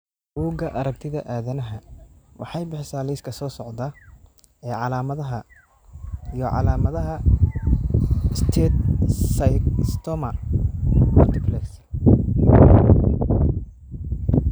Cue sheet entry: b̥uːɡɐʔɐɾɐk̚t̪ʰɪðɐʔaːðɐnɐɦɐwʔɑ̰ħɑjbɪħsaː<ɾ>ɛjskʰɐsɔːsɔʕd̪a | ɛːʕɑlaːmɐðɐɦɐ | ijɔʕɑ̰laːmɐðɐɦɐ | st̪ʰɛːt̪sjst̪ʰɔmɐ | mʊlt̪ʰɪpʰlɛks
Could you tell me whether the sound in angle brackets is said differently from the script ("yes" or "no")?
yes